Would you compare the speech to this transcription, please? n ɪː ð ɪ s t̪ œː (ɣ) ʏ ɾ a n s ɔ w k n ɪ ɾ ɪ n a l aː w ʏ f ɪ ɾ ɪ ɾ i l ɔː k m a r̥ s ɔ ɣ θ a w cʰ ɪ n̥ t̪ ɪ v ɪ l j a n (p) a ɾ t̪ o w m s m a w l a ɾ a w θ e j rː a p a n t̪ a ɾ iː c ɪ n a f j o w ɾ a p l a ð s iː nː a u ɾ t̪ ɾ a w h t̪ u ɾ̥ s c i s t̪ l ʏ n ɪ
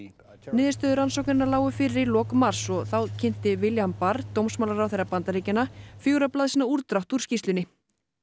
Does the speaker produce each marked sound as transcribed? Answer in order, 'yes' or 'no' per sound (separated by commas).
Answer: no, yes